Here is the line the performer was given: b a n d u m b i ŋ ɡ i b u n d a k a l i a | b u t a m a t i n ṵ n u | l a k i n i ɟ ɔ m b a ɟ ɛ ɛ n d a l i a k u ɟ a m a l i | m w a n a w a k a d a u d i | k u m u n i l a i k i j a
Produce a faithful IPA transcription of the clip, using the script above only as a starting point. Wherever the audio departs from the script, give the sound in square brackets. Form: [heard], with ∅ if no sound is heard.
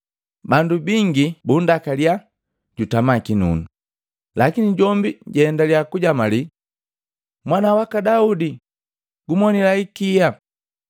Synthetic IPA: b a n d u [∅] b i ŋ ɡ i b u n d a k a l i a | [ɟ] u t a m a [k] i n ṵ n u | l a k i n i ɟ ɔ m b [i] ɟ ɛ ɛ n d a l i a k u ɟ a m a l i | m w a n a w a k a d a u d i | [ɡ] u m [ɔ] n i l a i k i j a

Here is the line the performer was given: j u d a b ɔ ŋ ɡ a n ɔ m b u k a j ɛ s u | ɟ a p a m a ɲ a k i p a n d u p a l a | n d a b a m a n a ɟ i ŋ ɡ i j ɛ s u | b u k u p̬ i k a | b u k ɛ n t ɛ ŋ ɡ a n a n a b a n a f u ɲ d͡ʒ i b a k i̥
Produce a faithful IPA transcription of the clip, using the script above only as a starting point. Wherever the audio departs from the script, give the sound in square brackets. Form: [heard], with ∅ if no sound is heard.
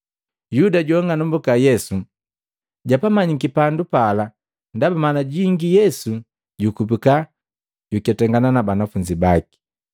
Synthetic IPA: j u d a [ɟ] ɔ ŋ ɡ a n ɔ m b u k a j ɛ s u | ɟ a p a m a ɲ [i] k i p a n d u p a l a | n d a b a m a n a ɟ i ŋ ɡ i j ɛ s u | [ɟ] u k u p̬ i k a | [ɟ] u k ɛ [∅] t ɛ ŋ ɡ a n a n a b a n a f u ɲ d͡ʒ i b a k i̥

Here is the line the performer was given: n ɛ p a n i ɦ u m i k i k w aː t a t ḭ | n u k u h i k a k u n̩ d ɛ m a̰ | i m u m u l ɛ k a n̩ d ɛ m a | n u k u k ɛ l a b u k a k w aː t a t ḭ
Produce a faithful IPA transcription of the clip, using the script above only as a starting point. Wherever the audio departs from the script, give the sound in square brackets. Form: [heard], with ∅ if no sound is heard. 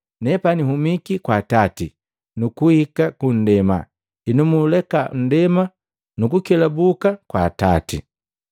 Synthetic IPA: n ɛ p a n i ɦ u m i k i k w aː t a t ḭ | n u k u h i k a k u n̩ d ɛ m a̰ | i [n] u m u l ɛ k a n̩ d ɛ m a | n u k u k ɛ l a b u k a k w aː t a t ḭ

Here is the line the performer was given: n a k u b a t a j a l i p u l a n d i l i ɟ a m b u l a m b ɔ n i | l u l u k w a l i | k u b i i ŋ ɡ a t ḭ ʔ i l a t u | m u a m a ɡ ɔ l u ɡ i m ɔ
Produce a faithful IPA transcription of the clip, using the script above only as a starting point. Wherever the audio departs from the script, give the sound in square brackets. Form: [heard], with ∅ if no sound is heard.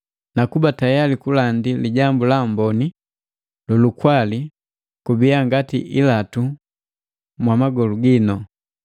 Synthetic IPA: n a k u b a t a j a l i [k] u l a n d i l i ɟ a m b u l a m b ɔ n i | l u l u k w a l i | k u b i [a] ŋ ɡ a t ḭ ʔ i l a t u | m [w] a m a ɡ ɔ l u ɡ i [n] ɔ

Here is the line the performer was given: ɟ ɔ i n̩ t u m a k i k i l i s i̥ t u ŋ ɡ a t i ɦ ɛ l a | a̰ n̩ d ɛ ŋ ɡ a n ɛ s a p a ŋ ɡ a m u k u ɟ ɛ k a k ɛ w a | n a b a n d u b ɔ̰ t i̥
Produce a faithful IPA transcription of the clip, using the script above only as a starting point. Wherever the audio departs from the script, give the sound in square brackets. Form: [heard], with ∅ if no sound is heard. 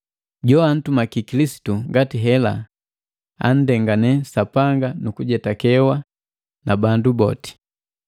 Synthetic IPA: ɟ ɔ [a] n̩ t u m a k i k i l i s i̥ t u ŋ ɡ a t i ɦ ɛ l a | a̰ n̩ d ɛ ŋ ɡ a n ɛ s a p a ŋ ɡ a [n] u k u ɟ ɛ [t] a k ɛ w a | n a b a n d u b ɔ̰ t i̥

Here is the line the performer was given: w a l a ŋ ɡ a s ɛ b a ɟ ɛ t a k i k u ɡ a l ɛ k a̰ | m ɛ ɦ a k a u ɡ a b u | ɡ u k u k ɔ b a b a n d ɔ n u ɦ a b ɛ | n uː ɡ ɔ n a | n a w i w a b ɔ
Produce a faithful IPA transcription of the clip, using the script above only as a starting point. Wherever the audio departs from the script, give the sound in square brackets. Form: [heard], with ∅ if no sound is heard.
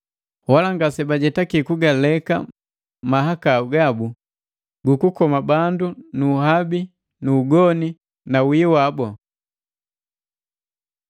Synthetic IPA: w a l a ŋ ɡ a s ɛ b a ɟ ɛ t a k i k u ɡ a l ɛ k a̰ | m [a] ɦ a k a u ɡ a b u | ɡ u k u k ɔ [m] a b a n d [u] n u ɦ a b [i] | n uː ɡ ɔ n [i] | n a w i w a b ɔ

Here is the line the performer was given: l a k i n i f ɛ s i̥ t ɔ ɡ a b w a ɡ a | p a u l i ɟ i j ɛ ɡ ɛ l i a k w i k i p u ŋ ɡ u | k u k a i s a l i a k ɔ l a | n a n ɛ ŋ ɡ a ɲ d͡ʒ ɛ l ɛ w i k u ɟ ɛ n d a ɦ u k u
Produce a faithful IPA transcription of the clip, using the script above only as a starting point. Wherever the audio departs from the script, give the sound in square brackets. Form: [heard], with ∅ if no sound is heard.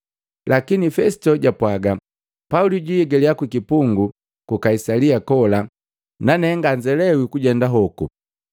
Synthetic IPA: l a k i n i f ɛ s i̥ t ɔ [ɟ] a [p] w a ɡ a | p a u l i ɟ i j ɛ ɡ ɛ l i a k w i k i p u ŋ ɡ u | k u k a i s a l i a k ɔ l a | n a n ɛ ŋ ɡ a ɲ d͡ʒ ɛ l ɛ w i k u ɟ ɛ n d a ɦ [ɔ] k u

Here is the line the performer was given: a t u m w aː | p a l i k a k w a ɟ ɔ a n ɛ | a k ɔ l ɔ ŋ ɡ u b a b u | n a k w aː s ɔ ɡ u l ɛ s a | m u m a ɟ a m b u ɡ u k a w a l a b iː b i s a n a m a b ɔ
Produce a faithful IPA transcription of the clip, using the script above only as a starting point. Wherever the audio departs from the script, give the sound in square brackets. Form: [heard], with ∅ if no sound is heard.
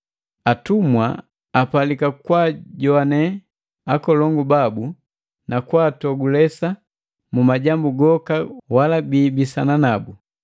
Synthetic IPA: a t u m w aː | p a l i k a k w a ɟ ɔ a n ɛ | a k ɔ l ɔ ŋ ɡ u b a b u | n a k w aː [t] ɔ ɡ u l ɛ s a | m u m a ɟ a m b u ɡ [ɔ] k a w a l a b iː b i s a n a [n] a b [u]

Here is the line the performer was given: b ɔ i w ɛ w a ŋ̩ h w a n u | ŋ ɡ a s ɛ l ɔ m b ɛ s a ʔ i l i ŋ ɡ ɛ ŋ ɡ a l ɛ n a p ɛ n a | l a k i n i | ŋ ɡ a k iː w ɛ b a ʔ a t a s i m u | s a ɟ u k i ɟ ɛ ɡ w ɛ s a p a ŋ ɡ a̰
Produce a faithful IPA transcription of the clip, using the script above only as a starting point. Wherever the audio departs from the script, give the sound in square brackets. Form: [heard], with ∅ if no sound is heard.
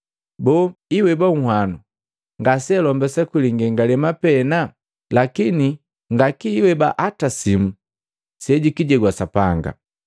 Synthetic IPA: b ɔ i w ɛ [b] a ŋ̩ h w a n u | ŋ ɡ a s ɛ l ɔ m b ɛ s a [k] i l i ŋ ɡ ɛ ŋ ɡ a l ɛ [m] a p ɛ n a | l a k i n i | ŋ ɡ a k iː w ɛ b a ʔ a t a s i m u | s [ɛ] ɟ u k i ɟ ɛ ɡ w [a] s a p a ŋ ɡ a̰

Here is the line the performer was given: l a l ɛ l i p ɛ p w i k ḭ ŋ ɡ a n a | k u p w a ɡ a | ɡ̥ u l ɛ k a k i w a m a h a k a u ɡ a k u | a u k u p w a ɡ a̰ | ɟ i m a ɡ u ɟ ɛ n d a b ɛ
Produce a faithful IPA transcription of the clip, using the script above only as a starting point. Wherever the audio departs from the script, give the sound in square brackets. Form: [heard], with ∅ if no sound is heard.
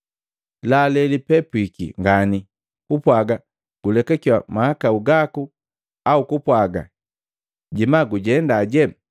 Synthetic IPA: l a l ɛ l i p ɛ p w i k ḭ ŋ ɡ a n [i] | k u p w a ɡ a | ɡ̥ u l ɛ k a k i w a m a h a k a u ɡ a k u | a u k u p w a ɡ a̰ | ɟ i m a ɡ u ɟ ɛ n d a [ɟ] ɛ

